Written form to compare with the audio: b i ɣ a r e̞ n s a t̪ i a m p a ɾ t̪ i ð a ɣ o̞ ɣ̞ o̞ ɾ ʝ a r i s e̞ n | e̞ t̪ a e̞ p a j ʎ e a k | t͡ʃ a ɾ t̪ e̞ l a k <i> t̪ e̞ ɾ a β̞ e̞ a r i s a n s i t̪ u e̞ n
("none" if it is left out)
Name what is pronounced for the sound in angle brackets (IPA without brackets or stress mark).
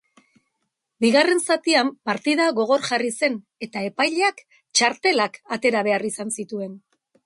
a